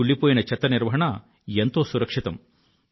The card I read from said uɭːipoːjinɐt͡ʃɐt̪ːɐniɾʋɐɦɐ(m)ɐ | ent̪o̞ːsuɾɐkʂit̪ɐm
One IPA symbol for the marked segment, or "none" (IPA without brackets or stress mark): ɳ